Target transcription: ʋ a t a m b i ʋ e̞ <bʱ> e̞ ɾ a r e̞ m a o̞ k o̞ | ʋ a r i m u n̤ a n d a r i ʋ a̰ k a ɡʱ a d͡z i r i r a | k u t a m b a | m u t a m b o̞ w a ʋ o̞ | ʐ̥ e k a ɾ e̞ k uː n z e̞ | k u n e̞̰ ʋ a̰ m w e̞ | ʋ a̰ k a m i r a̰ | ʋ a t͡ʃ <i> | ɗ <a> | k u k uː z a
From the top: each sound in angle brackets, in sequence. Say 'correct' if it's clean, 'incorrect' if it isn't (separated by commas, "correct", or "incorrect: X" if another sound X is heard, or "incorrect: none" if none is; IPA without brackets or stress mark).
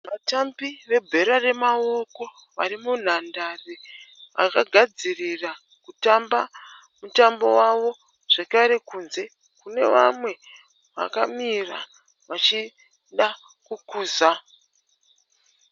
correct, correct, correct